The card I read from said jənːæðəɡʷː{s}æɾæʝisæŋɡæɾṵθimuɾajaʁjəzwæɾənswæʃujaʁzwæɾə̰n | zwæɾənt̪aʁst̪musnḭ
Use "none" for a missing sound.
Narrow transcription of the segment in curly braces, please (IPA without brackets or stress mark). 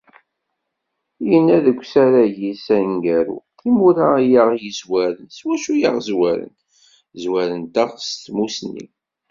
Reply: s